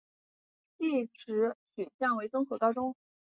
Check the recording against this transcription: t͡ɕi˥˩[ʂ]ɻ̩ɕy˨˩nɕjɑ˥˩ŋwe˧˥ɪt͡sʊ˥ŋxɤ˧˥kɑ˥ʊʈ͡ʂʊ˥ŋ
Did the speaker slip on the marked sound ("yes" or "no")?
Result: yes